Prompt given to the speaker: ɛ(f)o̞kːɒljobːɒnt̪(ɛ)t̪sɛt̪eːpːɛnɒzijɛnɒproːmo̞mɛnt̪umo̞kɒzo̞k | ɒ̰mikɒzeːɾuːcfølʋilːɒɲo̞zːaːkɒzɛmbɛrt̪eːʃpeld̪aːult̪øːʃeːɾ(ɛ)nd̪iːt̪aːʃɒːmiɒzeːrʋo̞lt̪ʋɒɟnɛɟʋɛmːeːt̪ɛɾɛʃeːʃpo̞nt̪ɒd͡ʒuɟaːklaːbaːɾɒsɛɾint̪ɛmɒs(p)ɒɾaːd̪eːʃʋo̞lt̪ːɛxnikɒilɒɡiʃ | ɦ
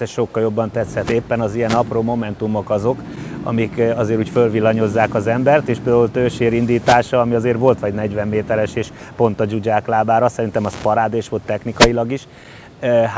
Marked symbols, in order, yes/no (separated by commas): no, yes, no, yes